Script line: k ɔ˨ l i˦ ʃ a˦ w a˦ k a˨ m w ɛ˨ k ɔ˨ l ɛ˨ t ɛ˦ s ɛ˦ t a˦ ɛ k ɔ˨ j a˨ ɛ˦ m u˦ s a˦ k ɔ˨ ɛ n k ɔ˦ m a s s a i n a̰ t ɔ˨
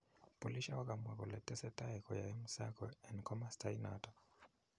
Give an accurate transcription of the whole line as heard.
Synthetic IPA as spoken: p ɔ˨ l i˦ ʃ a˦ w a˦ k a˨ m w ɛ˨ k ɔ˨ l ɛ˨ t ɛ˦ s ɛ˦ t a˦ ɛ k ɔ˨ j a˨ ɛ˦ m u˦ s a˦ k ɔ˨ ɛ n k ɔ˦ m a s t a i n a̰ t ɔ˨